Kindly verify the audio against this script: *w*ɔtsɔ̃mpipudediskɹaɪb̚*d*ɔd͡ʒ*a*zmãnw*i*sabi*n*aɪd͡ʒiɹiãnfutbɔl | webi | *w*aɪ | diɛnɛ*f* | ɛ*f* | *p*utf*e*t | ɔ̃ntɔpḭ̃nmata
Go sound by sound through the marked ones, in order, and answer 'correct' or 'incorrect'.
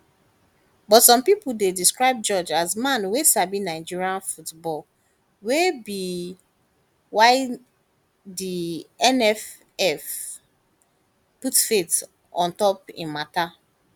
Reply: incorrect: b, incorrect: d͡ʒ, correct, incorrect: e, correct, correct, correct, correct, correct, correct

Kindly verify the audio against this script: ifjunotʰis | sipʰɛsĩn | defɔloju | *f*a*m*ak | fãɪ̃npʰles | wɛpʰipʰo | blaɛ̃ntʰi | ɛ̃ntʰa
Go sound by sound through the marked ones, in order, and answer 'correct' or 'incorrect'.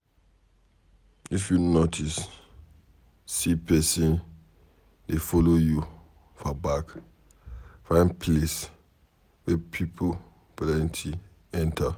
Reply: correct, incorrect: b

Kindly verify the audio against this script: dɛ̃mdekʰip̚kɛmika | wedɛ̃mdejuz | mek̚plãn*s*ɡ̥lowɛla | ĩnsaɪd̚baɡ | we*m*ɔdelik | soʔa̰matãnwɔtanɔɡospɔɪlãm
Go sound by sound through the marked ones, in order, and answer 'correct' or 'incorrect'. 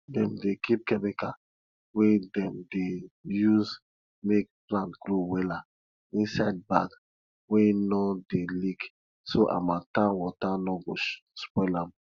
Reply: incorrect: t, incorrect: n

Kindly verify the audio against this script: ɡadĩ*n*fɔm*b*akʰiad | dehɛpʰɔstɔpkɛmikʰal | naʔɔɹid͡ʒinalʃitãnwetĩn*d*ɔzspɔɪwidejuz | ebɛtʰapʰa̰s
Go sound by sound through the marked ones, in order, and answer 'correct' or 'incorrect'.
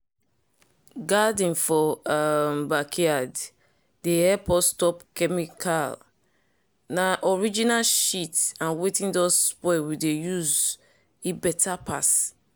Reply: correct, correct, correct

